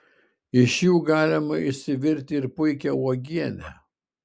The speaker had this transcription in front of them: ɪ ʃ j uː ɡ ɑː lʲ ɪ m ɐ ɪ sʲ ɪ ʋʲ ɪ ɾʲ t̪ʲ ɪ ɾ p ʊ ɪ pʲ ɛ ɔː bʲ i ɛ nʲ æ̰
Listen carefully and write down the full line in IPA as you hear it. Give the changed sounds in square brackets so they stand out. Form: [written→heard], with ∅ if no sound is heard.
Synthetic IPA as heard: ɪ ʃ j uː ɡ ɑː lʲ ɪ m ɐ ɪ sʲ ɪ ʋʲ ɪ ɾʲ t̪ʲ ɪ ɾ p ʊ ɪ [pʲ→kʲ] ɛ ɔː [bʲ→ɡʲ] i ɛ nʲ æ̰